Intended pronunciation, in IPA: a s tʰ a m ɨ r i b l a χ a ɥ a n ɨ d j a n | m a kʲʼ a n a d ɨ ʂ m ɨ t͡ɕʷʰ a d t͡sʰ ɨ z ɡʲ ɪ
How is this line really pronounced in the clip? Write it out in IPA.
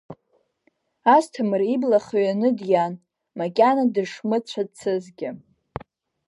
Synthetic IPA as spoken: a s tʰ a m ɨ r i b l a χ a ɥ a n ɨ d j a n | m a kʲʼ a n a d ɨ ʂ m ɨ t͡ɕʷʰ a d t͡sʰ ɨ z ɡʲ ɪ